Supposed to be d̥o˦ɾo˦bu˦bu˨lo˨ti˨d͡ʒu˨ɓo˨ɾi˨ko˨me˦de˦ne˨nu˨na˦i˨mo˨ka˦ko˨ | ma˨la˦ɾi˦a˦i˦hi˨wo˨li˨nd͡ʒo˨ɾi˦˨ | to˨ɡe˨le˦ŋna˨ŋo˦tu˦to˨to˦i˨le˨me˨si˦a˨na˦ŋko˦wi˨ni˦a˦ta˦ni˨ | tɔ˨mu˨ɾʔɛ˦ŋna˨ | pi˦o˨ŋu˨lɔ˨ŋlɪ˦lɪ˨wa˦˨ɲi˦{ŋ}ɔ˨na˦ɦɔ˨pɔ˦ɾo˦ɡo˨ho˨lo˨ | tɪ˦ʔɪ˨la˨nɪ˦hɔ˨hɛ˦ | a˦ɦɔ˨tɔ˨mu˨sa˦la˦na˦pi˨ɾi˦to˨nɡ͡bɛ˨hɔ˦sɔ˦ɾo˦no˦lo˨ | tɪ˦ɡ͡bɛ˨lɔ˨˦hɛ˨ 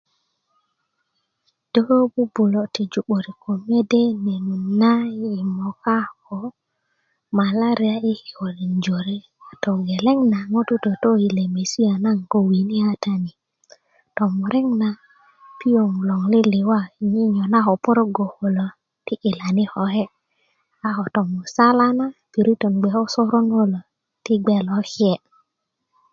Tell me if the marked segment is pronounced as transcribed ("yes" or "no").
no